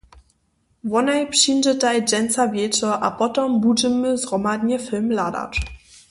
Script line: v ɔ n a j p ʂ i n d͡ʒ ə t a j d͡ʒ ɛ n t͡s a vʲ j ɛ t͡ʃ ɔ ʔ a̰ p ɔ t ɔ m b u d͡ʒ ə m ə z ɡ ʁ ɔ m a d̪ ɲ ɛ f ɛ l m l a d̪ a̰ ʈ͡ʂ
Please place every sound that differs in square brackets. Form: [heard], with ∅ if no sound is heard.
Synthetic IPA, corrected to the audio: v ɔ n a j p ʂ i n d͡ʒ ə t a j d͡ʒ ɛ n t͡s a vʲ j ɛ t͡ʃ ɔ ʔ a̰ p ɔ t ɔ m b u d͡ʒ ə m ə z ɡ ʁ ɔ m a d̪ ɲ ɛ f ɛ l m l a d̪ a̰ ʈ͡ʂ